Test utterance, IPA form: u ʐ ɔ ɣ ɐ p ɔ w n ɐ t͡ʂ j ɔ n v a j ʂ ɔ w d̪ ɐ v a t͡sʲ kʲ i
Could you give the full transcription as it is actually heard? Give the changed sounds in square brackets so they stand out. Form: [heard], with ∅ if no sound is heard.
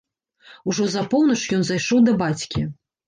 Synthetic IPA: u ʐ ɔ [z] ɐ p ɔ w n ɐ t͡ʂ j ɔ n [z] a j ʂ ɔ w d̪ ɐ [b] a t͡sʲ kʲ i

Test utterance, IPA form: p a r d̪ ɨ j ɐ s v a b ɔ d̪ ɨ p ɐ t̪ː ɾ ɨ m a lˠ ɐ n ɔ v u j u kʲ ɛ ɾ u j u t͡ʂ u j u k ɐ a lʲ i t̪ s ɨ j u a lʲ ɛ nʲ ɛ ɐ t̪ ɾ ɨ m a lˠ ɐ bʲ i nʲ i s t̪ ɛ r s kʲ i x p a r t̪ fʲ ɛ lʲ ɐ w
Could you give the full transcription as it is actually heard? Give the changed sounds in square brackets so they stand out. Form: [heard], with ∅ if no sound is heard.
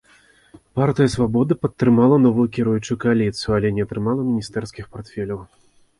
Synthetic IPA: p a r [t̪] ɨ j ɐ s v a b ɔ d̪ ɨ p ɐ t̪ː ɾ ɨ m a lˠ ɐ n ɔ v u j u kʲ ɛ ɾ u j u t͡ʂ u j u k ɐ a lʲ i t̪ s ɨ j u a lʲ ɛ nʲ ɛ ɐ t̪ ɾ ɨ m a lˠ ɐ [mʲ] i nʲ i s t̪ ɛ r s kʲ i x p a r t̪ fʲ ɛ lʲ ɐ w

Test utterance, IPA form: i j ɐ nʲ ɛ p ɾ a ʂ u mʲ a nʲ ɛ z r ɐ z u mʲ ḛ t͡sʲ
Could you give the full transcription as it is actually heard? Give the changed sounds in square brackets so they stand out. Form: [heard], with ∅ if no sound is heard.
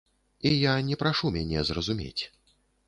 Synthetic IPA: i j [a] nʲ ɛ p ɾ a ʂ u mʲ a nʲ ɛ z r ɐ z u mʲ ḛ t͡sʲ

